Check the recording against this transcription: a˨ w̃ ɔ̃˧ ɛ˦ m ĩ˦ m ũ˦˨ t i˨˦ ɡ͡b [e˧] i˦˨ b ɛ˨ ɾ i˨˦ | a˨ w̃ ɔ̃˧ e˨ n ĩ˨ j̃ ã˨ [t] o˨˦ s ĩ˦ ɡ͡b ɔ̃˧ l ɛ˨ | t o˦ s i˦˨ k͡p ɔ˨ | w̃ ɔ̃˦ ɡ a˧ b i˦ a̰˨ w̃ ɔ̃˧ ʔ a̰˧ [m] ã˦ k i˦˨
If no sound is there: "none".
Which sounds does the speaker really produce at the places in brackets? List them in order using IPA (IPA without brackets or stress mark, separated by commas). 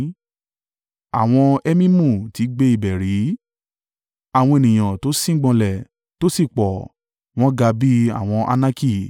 e˧, t, n